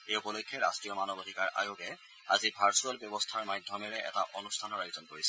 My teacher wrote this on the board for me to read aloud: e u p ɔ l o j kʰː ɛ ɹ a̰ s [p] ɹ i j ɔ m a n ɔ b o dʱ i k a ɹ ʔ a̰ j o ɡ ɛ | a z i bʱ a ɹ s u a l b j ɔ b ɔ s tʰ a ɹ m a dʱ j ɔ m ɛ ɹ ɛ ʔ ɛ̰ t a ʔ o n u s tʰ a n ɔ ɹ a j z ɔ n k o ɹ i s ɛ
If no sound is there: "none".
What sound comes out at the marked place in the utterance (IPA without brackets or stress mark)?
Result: t